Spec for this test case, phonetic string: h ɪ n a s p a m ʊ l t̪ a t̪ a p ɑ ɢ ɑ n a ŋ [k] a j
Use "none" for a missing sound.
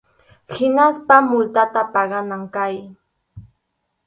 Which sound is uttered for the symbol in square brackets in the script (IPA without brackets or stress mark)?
k